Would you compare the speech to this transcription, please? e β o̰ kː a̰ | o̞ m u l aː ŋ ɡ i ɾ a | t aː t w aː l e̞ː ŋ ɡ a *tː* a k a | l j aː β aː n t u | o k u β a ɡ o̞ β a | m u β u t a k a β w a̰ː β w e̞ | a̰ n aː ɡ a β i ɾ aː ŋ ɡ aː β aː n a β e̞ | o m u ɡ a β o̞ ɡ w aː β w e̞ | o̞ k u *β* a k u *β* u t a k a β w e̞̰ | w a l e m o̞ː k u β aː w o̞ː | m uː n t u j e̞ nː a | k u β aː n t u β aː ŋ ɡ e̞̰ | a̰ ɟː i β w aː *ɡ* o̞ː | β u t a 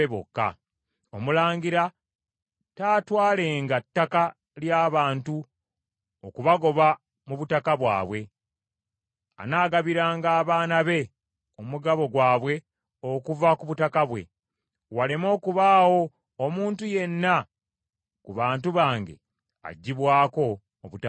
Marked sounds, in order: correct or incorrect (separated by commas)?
correct, incorrect, correct, incorrect